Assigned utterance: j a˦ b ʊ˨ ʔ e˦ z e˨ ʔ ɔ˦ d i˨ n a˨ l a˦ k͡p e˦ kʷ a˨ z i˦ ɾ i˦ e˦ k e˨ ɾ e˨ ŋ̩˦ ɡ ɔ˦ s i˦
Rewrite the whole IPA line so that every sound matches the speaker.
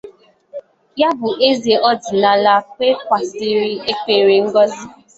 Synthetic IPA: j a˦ b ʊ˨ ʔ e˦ z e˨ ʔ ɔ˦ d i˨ n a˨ l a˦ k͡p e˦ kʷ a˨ s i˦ ɾ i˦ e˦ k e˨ ɾ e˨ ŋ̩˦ ɡ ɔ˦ z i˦